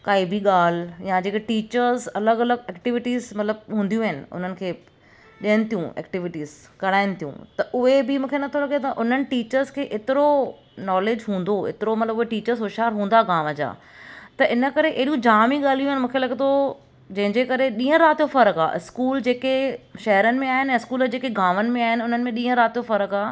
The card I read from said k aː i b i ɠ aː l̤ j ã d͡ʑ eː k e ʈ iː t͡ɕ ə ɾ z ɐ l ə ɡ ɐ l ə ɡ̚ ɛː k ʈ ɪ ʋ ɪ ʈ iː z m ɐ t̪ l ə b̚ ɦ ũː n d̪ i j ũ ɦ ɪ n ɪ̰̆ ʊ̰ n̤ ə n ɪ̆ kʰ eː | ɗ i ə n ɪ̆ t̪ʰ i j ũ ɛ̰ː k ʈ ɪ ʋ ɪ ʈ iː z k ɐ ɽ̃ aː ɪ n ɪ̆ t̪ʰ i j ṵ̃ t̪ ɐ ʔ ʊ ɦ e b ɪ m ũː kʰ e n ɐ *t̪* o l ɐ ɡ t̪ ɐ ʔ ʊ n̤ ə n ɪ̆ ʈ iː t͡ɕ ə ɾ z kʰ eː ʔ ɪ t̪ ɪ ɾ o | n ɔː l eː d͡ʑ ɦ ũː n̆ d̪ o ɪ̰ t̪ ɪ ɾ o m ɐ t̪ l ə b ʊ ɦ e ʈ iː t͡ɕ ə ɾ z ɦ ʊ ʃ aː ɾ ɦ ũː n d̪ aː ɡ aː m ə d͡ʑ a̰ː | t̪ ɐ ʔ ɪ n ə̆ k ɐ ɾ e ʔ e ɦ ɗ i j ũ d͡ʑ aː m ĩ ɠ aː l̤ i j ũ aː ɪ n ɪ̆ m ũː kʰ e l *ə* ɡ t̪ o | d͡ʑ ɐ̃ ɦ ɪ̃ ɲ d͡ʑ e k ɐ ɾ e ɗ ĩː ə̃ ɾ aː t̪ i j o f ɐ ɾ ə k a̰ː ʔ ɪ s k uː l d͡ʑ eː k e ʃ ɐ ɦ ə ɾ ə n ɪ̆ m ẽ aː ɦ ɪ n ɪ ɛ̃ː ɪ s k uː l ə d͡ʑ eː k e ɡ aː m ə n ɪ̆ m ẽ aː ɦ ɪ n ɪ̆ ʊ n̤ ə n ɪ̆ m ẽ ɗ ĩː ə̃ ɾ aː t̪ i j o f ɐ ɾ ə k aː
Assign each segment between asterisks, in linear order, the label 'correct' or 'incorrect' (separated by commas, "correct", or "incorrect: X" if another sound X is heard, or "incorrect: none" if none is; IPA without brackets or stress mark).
incorrect: t̪ʰ, incorrect: ɐ